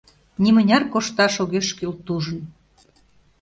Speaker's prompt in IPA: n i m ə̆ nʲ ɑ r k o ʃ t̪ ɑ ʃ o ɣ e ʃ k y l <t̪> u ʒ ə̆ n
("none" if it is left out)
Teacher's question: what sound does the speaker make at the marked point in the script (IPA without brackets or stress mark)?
t̪